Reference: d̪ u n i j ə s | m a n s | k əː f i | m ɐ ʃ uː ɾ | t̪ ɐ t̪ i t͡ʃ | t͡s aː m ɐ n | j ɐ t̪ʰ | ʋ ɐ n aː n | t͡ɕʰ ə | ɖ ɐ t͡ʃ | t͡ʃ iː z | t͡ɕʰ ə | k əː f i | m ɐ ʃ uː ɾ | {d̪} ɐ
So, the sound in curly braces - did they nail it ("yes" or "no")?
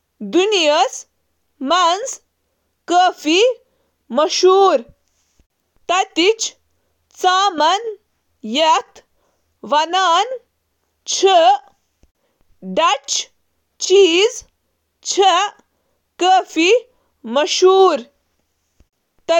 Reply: no